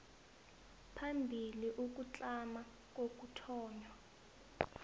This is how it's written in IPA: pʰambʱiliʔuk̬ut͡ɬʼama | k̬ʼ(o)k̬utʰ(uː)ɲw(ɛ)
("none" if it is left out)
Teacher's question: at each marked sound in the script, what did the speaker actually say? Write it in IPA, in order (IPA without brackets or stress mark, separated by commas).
o, ɔː, a